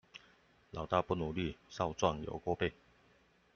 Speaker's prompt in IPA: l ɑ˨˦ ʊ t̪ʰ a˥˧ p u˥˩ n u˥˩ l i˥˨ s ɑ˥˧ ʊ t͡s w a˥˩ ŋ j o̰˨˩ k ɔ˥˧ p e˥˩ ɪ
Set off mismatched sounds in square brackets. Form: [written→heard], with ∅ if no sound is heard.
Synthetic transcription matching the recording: l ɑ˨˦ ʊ [t̪ʰ→t̪] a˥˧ p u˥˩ n [u˥˩→u˨˩] l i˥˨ s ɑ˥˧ ʊ t͡s w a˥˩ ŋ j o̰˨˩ k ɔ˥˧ p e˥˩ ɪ